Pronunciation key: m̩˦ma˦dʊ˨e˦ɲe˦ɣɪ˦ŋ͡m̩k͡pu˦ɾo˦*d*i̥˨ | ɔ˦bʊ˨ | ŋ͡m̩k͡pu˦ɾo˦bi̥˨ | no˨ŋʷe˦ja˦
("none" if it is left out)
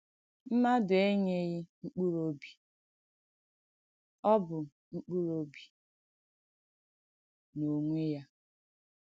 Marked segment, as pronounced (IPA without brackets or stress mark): b